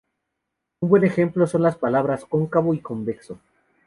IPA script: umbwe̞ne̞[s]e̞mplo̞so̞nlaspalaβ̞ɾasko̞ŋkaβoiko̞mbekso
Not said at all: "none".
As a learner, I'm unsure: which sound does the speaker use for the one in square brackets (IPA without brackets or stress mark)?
x